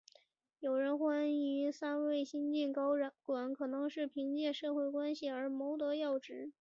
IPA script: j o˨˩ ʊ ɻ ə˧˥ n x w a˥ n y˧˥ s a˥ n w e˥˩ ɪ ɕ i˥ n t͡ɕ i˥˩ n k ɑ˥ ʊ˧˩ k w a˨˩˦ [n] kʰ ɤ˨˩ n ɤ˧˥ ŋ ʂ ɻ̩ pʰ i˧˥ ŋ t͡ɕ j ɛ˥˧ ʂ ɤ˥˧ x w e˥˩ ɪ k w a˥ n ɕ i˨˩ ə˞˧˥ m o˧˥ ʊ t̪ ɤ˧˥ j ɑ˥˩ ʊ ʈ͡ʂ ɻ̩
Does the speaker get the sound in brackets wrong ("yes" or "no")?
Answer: no